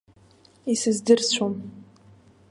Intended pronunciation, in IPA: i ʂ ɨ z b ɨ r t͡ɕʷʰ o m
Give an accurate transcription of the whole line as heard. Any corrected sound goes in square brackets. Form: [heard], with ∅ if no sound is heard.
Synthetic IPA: i [s] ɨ z [d] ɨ r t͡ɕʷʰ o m